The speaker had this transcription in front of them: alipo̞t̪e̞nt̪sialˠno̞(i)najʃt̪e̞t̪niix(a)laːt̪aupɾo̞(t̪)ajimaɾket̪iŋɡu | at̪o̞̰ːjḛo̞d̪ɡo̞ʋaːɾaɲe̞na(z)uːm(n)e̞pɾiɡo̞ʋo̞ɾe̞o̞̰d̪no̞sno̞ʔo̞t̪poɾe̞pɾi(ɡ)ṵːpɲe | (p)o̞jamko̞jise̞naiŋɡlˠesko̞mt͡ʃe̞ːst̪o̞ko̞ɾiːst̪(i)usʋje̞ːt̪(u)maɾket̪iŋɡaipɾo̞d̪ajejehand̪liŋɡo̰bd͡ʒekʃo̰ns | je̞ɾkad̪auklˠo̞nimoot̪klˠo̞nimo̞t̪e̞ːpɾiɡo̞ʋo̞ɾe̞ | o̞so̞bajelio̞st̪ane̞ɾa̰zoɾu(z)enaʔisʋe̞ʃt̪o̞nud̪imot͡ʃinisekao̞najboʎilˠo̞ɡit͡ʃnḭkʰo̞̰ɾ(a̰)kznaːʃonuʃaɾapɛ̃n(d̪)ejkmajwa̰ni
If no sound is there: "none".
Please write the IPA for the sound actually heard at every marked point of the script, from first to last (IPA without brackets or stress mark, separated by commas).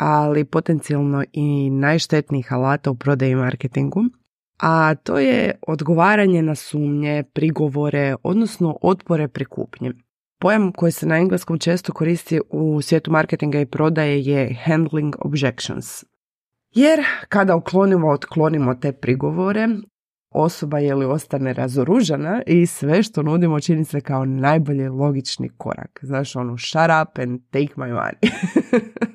i, a, d̪, s, ɲ, k, p, i, u, ʒ, a̰, t̪